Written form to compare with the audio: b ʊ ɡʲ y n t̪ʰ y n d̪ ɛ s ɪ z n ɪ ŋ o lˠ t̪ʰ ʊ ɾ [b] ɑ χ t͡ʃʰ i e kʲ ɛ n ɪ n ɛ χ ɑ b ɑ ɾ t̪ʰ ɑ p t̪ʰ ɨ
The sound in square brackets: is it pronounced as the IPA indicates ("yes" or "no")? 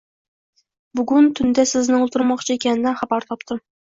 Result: no